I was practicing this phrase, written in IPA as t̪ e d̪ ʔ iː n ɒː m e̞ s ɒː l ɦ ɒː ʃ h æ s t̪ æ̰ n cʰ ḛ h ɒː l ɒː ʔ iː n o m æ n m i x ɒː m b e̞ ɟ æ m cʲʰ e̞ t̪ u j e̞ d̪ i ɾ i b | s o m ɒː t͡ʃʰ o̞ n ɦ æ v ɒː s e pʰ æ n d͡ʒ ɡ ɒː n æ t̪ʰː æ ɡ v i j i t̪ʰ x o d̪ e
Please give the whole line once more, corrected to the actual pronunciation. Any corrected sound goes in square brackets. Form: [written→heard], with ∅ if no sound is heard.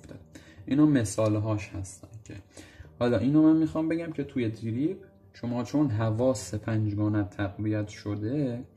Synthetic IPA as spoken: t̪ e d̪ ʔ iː n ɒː m e̞ s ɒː l ɦ ɒː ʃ h æ s t̪ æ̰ n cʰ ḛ h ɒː l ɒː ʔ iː n o m æ n m i x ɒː m b e̞ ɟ æ m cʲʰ e̞ [t̪→t̪ʰ] u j e̞ d̪ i ɾ i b | [s→ʃ] o m ɒː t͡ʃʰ o̞ n ɦ æ v ɒː s e pʰ æ n d͡ʒ ɡ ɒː n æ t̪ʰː æ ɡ v i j [i→æ] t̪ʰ [x→ʃ] o d̪ e